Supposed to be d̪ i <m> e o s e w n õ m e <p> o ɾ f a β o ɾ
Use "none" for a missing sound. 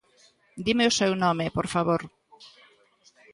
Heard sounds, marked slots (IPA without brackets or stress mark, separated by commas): m, p